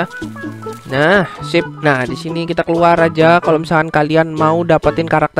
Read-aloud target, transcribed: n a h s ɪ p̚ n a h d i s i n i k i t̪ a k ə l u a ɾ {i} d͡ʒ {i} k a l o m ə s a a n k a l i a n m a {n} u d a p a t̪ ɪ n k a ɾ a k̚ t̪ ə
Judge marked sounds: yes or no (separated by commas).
no, no, no